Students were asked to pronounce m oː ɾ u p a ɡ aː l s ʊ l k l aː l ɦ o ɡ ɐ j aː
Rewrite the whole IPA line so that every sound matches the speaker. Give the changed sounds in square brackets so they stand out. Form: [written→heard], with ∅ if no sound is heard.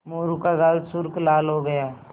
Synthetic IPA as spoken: m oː ɾ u [p→k] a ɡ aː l s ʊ [l→ɾ] k l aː l ɦ o ɡ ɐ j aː